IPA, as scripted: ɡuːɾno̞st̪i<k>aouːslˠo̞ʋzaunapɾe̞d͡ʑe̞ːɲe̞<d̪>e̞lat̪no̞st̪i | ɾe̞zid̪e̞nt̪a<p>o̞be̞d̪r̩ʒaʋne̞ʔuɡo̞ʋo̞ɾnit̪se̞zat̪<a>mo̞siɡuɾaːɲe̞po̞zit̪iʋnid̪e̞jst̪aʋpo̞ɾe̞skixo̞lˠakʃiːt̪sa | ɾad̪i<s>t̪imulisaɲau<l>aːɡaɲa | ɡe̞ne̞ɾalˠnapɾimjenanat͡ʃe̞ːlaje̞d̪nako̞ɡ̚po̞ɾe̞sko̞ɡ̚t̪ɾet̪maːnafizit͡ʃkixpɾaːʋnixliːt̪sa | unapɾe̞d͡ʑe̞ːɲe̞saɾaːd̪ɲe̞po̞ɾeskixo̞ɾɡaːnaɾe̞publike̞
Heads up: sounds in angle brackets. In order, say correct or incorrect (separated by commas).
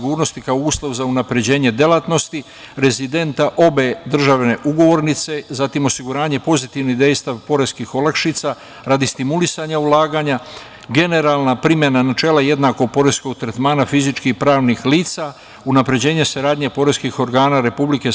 correct, correct, incorrect, incorrect, correct, correct